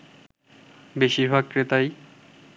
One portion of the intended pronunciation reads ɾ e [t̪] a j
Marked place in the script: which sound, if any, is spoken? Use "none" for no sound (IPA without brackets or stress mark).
t̪